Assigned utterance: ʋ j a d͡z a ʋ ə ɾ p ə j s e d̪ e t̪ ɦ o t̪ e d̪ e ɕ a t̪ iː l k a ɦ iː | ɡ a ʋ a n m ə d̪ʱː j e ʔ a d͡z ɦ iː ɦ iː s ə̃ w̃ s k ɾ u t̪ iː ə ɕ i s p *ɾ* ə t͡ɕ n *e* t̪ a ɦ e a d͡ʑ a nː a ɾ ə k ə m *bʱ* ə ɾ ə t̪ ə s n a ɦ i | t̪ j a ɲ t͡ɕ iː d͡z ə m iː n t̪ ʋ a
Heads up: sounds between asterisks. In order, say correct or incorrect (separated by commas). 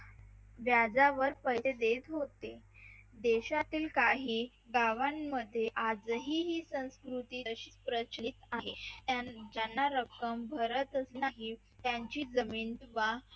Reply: correct, incorrect, correct